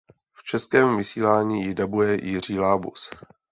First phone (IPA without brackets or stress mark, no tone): f